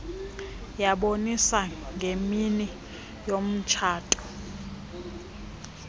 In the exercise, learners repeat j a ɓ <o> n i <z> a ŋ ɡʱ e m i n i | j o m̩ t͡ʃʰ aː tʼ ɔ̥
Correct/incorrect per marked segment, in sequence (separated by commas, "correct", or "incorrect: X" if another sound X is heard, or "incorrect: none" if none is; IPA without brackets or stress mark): correct, incorrect: s